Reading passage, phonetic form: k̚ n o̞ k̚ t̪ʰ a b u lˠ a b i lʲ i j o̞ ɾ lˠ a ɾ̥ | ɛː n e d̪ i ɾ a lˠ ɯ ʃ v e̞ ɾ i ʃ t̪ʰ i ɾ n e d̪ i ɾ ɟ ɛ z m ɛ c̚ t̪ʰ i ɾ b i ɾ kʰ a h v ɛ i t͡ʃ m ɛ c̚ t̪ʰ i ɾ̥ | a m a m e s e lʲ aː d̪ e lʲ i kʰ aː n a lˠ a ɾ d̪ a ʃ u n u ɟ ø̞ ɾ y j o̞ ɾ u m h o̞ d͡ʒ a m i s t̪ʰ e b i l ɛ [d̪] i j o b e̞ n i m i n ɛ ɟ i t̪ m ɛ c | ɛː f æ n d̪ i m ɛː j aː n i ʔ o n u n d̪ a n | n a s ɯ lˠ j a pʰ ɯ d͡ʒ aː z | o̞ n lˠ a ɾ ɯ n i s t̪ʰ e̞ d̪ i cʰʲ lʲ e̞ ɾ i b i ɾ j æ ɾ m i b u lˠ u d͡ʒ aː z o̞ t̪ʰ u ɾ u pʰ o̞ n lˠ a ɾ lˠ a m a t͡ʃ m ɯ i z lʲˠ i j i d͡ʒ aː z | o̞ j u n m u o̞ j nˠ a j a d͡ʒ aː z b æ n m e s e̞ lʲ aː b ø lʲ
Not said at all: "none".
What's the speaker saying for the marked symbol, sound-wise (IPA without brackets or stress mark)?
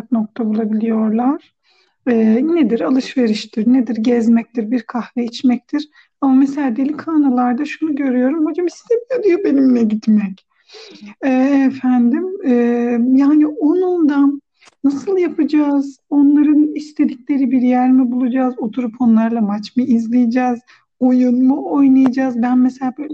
d̪